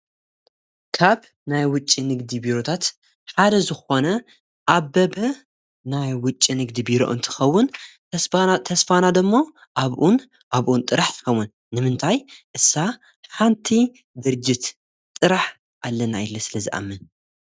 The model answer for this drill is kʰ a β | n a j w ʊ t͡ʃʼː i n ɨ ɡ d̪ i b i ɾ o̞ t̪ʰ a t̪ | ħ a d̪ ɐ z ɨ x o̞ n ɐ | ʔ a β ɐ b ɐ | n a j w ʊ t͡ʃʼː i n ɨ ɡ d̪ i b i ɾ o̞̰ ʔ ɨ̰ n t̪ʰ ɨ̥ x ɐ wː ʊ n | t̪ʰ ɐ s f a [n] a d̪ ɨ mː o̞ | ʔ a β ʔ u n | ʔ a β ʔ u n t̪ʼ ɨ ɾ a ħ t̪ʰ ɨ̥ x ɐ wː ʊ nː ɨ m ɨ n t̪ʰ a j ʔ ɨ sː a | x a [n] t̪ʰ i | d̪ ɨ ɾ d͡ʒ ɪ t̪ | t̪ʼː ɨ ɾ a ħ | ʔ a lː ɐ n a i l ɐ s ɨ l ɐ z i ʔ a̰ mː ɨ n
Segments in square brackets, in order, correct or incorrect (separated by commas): correct, correct